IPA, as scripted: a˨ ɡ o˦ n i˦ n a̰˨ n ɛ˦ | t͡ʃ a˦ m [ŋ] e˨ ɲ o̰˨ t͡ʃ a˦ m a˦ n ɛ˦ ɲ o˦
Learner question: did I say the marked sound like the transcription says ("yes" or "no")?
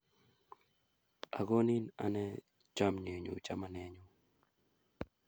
no